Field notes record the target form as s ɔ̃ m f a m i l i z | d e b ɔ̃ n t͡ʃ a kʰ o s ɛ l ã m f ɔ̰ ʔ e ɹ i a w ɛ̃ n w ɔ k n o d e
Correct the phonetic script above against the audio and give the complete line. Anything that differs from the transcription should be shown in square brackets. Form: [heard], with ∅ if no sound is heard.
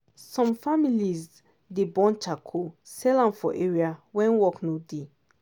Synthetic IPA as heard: s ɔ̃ m f a m i l i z | d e b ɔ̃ n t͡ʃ a kʰ o s ɛ l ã m f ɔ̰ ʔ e ɹ i a w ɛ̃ n w ɔ k n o d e